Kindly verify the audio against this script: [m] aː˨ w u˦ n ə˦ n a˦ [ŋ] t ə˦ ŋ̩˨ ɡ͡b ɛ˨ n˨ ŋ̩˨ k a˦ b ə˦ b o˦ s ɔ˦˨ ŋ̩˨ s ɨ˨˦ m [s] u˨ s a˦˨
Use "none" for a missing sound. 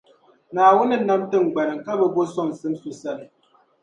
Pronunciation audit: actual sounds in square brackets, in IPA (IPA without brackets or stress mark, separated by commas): n, m, s